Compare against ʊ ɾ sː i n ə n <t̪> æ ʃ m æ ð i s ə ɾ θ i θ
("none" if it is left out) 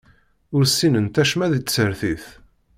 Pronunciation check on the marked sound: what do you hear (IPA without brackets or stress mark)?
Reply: t̪